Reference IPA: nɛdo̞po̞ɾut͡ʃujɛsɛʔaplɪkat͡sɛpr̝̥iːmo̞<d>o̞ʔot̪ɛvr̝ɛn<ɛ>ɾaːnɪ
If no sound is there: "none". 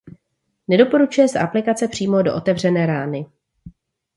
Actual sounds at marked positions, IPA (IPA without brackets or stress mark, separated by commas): d, ɛː